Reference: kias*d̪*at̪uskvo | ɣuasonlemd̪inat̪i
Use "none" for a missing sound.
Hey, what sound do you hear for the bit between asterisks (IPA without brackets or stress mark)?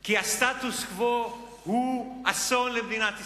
t̪